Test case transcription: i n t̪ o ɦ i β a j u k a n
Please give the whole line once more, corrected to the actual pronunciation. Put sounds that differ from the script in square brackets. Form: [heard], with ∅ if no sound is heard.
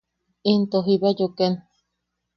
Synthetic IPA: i n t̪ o ɦ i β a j [o] k [e] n

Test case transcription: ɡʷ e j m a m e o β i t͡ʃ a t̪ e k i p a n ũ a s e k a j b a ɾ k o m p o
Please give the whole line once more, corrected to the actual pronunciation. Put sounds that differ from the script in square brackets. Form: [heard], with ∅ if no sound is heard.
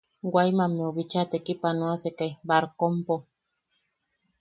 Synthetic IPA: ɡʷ [a] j m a m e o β i t͡ʃ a t̪ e k i p a n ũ a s e k a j b a ɾ k o m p o

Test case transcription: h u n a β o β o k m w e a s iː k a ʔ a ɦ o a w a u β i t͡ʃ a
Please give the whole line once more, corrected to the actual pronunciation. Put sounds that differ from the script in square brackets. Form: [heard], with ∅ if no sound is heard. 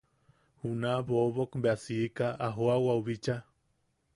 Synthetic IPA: h u n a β o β o k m [b] e a s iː k a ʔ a ɦ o a w a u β i t͡ʃ a

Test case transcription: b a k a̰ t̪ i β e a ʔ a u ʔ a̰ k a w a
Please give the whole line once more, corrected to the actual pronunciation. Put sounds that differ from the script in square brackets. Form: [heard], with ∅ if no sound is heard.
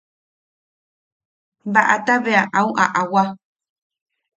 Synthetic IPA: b a [ʔ] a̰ t̪ [a] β e a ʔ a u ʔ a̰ [ʔ] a w a

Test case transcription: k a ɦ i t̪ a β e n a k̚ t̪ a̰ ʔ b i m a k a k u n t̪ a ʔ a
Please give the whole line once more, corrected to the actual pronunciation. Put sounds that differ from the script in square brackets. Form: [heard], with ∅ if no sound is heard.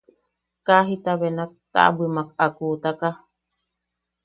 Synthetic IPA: k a ɦ i t̪ a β e n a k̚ t̪ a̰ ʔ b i m a k a k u [∅] t̪ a [k] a

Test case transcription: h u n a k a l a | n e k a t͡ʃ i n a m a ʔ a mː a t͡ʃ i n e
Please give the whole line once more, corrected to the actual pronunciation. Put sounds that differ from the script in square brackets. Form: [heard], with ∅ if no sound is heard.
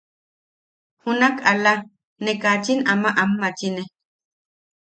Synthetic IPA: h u n a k a l a | n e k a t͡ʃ i n a m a ʔ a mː a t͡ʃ i n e

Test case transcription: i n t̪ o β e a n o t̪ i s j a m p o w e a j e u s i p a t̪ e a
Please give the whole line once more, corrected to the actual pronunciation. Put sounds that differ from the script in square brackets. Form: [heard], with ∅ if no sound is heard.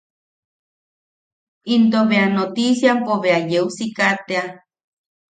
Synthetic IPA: i n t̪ o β e a n o t̪ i s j a m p o [β] e a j e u s i [k] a t̪ e a

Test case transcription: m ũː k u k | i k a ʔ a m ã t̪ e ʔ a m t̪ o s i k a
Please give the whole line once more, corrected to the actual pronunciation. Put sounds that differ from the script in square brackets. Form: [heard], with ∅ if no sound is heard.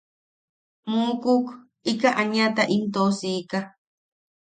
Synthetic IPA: m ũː k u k | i k a ʔ a [ɲ] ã t̪ [a] ʔ [i] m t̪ o s i k a

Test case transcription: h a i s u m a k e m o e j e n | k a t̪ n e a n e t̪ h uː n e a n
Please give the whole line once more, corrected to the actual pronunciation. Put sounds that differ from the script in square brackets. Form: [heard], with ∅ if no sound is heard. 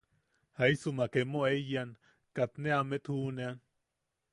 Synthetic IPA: h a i s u m a k e m o e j [a] n | k a t̪ n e a [m] e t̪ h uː n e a n

